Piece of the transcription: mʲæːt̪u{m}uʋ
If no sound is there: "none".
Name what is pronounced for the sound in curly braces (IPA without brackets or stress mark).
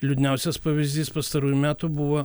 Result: b